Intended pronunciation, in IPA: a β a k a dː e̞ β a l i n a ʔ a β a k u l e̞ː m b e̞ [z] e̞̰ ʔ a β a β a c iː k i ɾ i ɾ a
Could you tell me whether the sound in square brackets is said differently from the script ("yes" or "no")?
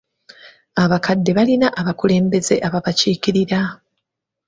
no